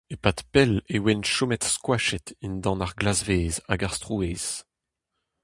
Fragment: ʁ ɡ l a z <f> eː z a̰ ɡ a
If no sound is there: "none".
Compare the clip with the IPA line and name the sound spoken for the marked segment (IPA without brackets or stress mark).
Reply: v